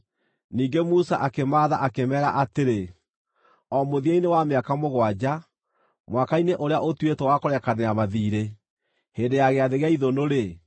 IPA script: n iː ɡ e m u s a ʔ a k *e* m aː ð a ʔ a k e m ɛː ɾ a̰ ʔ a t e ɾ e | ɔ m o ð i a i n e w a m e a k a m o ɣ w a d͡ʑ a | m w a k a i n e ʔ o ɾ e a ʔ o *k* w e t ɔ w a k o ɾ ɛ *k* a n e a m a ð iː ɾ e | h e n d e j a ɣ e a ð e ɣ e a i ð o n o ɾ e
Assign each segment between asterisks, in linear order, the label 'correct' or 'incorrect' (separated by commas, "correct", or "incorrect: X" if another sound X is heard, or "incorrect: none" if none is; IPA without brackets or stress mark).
correct, incorrect: t, correct